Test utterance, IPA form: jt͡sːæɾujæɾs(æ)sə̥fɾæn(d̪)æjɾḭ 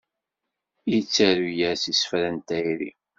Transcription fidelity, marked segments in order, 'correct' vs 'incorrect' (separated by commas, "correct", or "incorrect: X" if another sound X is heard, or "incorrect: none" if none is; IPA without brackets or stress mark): incorrect: i, incorrect: t̪